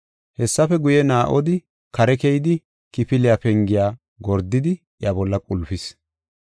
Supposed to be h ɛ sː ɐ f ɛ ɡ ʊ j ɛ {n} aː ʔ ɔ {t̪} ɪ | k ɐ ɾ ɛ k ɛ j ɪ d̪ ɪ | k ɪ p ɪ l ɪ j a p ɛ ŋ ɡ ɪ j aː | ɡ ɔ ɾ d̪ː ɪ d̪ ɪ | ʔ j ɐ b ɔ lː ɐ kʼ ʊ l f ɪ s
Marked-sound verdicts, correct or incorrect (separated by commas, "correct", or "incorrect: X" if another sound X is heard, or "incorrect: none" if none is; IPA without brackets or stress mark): correct, incorrect: d̪